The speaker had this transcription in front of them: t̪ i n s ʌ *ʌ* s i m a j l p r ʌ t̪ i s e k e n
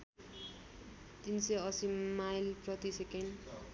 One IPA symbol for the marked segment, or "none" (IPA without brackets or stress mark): ʌ